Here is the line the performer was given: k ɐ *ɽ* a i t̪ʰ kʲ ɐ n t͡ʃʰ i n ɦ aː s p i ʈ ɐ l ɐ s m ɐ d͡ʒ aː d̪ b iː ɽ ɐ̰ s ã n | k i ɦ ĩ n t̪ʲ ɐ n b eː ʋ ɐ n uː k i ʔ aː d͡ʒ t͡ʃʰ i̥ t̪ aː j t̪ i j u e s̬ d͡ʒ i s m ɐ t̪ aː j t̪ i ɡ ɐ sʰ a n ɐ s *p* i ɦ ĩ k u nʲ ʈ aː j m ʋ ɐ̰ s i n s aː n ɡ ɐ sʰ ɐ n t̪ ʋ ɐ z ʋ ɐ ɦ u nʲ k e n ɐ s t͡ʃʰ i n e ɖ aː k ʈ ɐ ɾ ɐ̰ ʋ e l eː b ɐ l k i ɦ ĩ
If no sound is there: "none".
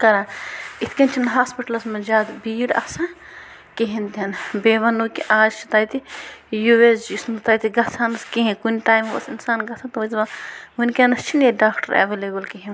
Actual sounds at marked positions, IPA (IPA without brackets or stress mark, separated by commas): ɾ, k